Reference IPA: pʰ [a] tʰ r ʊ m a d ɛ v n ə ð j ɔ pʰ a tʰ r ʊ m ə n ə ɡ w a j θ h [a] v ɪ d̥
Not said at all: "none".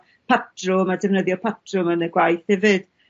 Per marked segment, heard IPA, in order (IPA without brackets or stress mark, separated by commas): a, ɛ